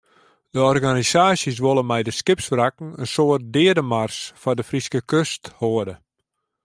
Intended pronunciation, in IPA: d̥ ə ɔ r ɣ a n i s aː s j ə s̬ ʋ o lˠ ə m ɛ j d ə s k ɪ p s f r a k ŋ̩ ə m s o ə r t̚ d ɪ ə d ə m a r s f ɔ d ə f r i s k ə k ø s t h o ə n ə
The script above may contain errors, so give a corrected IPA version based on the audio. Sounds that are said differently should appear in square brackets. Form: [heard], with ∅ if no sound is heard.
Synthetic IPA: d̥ ə ɔ r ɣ a n i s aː s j ə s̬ ʋ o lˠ ə m ɛ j d ə s k ɪ p s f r a k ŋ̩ ə [n] s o ə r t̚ d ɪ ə d ə m a r s f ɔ d ə f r i s k ə k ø s t h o ə [d] ə